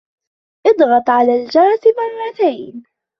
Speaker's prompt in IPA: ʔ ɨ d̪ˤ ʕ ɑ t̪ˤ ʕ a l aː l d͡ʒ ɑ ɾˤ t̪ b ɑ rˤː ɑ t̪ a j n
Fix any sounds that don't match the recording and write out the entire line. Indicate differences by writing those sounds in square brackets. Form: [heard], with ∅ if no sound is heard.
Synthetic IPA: ʔ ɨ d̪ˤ [ɣ] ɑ t̪ˤ ʕ a l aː l d͡ʒ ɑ ɾˤ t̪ [m] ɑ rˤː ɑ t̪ a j n